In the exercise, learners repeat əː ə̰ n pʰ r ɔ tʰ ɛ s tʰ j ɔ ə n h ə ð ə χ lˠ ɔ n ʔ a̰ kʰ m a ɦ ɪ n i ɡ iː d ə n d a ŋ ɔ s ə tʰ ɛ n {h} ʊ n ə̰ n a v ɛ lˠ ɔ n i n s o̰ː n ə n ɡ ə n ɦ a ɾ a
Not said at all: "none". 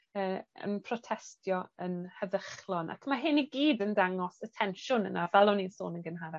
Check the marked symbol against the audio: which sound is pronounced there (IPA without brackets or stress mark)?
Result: ʃ